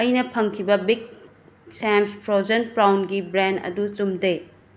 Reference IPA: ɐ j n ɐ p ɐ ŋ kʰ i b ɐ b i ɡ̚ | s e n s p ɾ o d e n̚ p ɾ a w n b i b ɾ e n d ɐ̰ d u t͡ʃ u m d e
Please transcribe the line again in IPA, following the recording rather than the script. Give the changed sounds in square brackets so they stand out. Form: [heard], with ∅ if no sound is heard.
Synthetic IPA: ɐ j n ɐ [pʰ] ɐ ŋ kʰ i b ɐ b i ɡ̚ | s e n s p ɾ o [d͡ʒ] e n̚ p ɾ a w n [ɡ] i b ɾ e n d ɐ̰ d u t͡ʃ u m d e